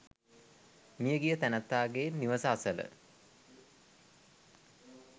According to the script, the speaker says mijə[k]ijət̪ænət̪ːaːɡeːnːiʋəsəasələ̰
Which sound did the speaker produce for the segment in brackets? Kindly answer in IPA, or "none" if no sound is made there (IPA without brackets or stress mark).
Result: ɡ